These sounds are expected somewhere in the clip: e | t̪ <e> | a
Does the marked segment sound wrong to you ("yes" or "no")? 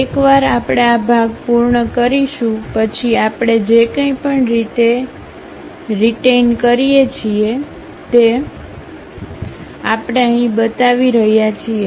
no